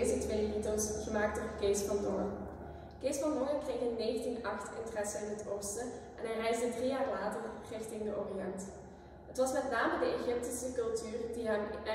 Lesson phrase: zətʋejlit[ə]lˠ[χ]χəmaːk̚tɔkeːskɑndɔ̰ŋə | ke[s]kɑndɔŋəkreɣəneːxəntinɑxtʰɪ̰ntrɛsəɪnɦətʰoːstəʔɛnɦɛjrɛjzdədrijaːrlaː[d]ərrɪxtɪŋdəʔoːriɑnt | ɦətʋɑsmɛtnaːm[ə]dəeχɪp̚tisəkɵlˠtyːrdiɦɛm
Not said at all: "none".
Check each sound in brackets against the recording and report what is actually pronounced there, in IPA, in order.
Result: ə, s, s, t, ə

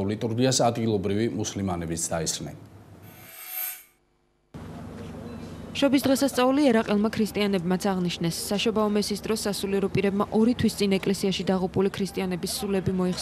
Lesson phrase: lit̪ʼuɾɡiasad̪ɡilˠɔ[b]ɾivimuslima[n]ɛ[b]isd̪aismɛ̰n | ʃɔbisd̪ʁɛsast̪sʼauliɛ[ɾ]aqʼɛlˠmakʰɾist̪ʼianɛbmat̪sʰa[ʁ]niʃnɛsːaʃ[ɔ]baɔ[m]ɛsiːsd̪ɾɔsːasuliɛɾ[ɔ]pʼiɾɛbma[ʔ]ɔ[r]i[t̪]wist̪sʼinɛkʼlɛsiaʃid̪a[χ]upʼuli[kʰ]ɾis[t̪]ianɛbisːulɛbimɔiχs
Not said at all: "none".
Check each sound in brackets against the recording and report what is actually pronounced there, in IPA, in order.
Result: b, n, b, ɾ, ʁ, ɔ, m, ɔ, ʔ, ɾ, t̪ʰ, ʁ, kʰ, t̪ʼ

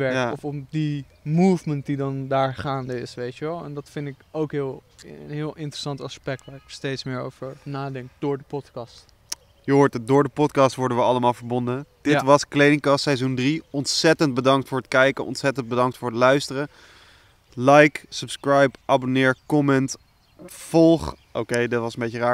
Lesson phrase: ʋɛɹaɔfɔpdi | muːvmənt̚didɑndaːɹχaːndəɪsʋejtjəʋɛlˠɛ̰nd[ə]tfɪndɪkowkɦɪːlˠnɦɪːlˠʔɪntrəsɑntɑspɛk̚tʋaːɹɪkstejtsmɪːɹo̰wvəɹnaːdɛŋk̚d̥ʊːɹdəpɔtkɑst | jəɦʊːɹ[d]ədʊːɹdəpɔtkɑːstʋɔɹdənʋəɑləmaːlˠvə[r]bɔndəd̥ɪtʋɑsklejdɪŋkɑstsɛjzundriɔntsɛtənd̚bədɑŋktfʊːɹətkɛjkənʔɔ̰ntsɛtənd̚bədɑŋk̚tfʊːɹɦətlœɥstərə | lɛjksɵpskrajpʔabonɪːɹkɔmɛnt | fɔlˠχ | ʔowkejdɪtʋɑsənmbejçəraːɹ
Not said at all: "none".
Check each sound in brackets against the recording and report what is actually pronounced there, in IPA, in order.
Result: ɑ, t, ɹ

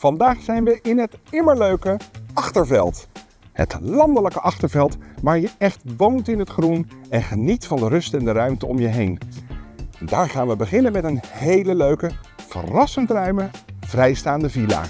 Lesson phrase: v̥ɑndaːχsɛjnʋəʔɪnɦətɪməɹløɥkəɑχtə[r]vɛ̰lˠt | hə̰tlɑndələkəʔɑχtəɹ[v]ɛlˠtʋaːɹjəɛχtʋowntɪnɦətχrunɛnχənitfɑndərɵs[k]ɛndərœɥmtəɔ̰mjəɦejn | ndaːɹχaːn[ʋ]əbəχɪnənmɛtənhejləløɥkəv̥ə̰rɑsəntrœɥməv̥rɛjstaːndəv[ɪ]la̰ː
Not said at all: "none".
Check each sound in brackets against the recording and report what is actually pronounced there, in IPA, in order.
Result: ɹ, v, t, ʋ, i

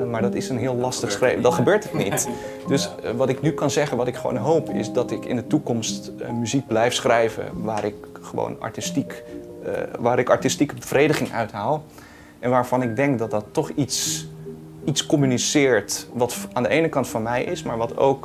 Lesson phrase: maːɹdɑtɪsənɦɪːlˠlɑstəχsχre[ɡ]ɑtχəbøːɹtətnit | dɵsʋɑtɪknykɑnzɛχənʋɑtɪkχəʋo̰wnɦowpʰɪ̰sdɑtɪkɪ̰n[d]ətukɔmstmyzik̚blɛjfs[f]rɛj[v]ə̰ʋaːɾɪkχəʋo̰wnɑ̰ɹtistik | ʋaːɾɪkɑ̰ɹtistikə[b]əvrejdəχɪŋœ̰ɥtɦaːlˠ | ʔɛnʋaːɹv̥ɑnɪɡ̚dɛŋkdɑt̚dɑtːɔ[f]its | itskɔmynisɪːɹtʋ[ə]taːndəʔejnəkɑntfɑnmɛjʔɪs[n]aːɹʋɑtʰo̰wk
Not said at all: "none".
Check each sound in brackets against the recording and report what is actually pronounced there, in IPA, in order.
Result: d, d, χ, v, b, χ, ɑ, m

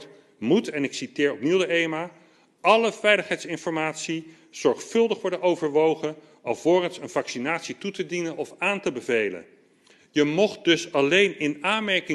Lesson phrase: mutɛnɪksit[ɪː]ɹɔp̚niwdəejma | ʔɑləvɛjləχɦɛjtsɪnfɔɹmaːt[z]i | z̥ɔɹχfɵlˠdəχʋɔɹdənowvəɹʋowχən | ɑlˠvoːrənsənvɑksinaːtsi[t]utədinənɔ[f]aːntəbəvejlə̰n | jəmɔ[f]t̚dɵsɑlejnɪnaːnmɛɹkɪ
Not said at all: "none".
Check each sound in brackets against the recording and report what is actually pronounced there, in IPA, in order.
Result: ɪː, s, t, f, χ

